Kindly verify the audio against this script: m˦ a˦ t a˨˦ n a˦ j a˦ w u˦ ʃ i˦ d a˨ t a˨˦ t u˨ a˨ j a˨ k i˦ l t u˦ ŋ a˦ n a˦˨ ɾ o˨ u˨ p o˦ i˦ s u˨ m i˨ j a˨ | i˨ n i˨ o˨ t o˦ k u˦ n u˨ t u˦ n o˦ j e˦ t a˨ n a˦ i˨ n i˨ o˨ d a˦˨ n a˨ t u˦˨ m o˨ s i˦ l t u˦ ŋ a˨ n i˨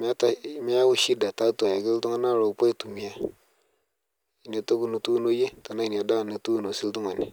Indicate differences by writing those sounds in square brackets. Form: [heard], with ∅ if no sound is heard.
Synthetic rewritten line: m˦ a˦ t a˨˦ [m] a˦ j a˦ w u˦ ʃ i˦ d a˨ t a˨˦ t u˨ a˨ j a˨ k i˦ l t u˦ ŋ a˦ n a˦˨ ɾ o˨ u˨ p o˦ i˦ [t] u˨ m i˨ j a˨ | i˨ n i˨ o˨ t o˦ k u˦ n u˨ t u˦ n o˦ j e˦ t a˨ n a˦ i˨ n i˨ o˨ d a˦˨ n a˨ t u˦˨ [n] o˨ s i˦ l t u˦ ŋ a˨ n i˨